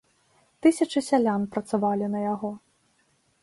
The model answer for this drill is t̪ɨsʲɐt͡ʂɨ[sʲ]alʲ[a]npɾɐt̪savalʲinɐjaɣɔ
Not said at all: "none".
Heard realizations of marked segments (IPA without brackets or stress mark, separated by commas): sʲ, a